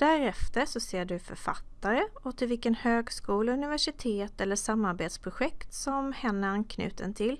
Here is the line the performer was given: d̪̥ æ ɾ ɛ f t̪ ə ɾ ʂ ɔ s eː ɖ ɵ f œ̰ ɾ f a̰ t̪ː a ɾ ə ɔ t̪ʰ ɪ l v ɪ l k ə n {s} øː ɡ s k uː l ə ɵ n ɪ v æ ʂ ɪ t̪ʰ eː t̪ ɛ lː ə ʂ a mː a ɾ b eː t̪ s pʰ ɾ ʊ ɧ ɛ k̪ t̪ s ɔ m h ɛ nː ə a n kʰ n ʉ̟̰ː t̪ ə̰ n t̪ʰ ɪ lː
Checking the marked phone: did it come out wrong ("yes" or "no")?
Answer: yes